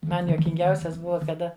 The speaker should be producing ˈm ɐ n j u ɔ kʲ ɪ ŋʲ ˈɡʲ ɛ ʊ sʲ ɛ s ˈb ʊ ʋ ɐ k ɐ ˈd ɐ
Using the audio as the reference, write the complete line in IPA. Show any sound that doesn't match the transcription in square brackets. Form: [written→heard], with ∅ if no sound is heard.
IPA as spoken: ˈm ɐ n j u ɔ kʲ ɪ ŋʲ ˈɡʲ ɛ ʊ sʲ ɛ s ˈb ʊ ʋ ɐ k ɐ ˈd ɐ

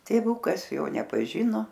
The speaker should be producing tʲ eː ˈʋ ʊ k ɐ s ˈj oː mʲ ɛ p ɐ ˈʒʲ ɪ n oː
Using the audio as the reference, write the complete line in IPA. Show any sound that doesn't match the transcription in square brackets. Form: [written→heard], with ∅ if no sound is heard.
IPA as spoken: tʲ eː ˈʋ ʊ k ɐ s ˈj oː [mʲ→nʲ] ɛ p ɐ ˈʒʲ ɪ n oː

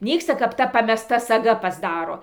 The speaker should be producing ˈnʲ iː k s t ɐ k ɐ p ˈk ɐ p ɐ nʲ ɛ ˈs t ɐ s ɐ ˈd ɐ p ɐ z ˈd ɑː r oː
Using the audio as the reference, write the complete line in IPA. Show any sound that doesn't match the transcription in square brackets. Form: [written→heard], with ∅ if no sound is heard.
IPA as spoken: ˈnʲ iː k s t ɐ k ɐ p [ˈk→ˈt] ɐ p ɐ [nʲ→mʲ] ɛ ˈs t ɐ s ɐ [ˈd→ˈɡ] ɐ p ɐ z ˈd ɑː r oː

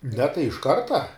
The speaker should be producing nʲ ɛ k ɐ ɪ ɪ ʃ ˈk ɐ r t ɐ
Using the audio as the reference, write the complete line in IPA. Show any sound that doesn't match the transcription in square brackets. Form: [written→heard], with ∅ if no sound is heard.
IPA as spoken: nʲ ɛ [k→t] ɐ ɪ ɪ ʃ ˈk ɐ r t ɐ

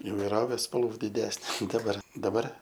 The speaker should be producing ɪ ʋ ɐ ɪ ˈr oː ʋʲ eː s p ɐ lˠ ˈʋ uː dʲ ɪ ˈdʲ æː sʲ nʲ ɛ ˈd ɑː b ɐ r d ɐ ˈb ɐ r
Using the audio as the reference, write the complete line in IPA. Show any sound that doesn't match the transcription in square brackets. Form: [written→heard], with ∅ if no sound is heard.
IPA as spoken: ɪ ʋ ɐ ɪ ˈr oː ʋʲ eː s p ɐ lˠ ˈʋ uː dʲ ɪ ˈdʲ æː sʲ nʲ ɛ ˈd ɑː b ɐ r d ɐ ˈb ɐ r

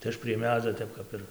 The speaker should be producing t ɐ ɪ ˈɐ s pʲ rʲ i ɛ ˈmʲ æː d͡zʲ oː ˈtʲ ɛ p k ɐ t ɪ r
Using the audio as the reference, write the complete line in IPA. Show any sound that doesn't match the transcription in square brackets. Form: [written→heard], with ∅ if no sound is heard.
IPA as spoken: t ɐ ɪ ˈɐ [s→ʃ] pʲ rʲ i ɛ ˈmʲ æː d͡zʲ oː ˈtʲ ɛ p k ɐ [t→p] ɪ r

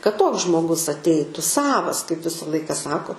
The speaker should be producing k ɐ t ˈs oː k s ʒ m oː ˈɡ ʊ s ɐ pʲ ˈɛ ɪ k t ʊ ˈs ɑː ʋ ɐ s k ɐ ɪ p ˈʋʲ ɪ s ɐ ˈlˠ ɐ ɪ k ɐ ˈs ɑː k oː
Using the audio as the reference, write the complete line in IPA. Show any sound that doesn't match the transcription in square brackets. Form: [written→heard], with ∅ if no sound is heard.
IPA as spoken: k ɐ t [ˈs→ˈt] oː k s ʒ m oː ˈɡ ʊ s ɐ [pʲ→tʲ] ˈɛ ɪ [k→∅] t ʊ ˈs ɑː ʋ ɐ s k ɐ ɪ p ˈʋʲ ɪ s ɐ ˈlˠ ɐ ɪ k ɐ ˈs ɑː k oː

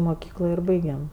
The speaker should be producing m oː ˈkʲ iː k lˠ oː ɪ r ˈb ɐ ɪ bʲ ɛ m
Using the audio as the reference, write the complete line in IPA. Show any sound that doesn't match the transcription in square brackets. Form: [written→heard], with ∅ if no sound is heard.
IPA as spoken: m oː ˈkʲ iː k lˠ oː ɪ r ˈb ɐ ɪ [bʲ→ɡʲ] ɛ m

